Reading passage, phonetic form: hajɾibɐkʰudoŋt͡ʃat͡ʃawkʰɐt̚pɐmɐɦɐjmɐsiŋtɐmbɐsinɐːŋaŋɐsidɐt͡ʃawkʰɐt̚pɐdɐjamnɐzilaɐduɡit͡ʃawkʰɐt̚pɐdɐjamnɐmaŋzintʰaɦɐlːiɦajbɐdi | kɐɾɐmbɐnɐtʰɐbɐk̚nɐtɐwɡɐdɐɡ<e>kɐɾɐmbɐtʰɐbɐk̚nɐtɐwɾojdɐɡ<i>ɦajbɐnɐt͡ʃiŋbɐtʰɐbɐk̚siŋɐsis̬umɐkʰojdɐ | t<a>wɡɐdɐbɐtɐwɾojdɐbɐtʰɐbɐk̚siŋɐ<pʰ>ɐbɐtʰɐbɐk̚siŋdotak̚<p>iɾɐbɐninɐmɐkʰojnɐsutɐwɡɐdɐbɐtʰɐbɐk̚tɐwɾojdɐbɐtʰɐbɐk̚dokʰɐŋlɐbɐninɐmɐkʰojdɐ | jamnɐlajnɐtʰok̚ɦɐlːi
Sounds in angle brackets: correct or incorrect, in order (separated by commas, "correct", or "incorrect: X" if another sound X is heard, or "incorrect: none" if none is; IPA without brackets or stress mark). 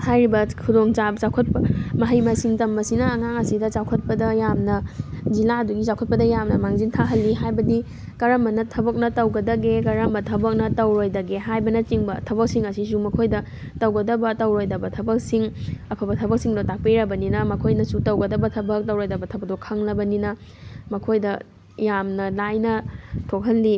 correct, incorrect: e, incorrect: ɐ, correct, correct